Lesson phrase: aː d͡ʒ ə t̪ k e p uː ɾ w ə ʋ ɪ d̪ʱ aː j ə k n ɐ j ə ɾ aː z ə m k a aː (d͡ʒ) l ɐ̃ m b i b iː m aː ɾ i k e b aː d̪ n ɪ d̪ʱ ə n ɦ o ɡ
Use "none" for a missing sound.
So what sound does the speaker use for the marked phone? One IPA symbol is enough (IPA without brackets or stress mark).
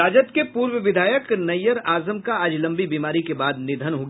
d͡ʒ